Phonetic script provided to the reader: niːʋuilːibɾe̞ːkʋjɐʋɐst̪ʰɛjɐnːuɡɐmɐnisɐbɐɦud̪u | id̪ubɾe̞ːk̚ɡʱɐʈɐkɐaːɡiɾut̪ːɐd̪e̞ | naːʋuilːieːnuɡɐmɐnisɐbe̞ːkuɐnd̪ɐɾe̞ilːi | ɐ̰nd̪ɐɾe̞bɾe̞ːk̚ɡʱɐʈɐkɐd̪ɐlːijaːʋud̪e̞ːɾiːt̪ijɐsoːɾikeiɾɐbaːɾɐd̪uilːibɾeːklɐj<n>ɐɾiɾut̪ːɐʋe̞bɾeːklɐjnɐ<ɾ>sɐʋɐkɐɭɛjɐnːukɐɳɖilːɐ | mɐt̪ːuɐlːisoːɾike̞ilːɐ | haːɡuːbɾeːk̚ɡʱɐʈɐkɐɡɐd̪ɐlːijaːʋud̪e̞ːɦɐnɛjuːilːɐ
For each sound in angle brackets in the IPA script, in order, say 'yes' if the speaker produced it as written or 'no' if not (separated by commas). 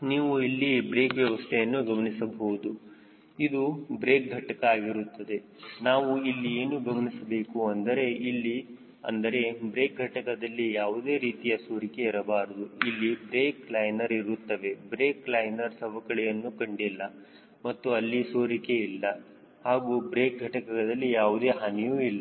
yes, yes